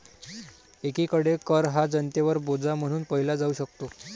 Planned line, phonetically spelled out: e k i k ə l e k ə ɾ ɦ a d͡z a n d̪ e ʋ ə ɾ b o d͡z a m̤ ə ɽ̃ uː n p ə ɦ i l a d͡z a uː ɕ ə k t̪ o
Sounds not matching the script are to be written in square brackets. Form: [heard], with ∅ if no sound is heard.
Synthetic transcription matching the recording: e k i k ə [ɽ] e k ə ɾ ɦ a d͡z [ə] n [t̪] e ʋ ə ɾ b o d͡z a m̤ ə ɽ̃ uː n p ə ɦ i l a d͡z a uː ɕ ə k t̪ o